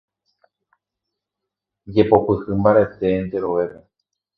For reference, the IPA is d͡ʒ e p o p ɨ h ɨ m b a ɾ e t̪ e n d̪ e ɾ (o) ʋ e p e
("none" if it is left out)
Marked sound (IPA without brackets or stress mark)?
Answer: o